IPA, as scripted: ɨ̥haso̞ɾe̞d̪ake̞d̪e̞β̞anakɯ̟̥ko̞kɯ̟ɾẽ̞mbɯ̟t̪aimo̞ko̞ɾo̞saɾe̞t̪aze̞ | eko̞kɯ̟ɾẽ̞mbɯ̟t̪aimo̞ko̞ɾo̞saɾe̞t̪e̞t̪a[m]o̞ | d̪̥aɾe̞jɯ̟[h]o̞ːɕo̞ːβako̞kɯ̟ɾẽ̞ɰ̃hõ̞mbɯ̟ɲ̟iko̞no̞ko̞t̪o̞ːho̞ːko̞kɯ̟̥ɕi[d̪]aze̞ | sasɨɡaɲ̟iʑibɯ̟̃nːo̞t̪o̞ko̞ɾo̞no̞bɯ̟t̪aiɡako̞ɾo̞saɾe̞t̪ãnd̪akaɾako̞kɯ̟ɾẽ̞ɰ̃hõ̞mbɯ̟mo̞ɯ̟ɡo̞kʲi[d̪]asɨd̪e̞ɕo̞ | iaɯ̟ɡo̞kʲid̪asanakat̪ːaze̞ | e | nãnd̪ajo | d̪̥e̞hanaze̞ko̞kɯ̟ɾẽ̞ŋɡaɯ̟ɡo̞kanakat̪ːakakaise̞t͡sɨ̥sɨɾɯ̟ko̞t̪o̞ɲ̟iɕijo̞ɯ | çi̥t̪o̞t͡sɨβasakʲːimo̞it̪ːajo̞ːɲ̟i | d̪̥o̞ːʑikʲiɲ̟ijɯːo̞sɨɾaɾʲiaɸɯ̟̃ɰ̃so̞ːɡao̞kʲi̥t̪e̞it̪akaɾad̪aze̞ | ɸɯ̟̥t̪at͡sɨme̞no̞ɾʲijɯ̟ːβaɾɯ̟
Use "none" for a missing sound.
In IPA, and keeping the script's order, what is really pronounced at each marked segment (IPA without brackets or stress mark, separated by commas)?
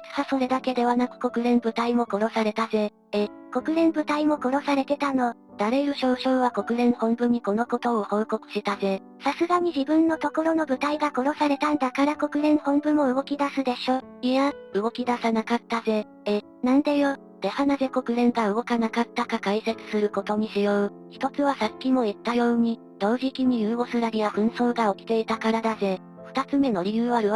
n, ɕ, t̪, d̪